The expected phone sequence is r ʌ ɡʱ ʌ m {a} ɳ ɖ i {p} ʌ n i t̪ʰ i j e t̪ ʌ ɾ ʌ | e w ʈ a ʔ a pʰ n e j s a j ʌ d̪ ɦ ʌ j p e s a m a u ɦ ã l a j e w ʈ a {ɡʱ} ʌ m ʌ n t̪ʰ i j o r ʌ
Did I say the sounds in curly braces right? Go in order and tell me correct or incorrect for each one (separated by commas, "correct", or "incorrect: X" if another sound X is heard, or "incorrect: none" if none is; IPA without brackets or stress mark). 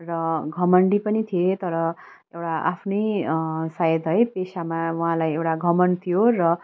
incorrect: ʌ, correct, correct